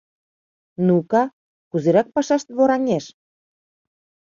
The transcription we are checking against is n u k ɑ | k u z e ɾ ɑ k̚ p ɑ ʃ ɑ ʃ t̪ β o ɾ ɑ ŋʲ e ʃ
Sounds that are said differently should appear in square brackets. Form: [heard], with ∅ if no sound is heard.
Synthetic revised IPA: n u k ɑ | k u z e ɾ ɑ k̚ p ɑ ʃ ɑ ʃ t̪ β o ɾ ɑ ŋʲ e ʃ